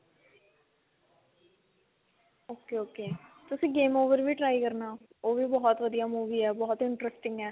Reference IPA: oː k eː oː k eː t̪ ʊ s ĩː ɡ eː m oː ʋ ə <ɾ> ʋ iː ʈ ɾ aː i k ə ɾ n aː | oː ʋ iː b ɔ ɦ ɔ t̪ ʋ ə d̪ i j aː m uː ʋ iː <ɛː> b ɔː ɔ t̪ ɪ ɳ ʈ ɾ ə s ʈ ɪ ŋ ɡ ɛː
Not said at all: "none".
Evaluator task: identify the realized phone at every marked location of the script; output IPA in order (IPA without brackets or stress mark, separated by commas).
ɾ, ɛː